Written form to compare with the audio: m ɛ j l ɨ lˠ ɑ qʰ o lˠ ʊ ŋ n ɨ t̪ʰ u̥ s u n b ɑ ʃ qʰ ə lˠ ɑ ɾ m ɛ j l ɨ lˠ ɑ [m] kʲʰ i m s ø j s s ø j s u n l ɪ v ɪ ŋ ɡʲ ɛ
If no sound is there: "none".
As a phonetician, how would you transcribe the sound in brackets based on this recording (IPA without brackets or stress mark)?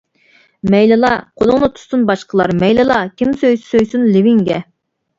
none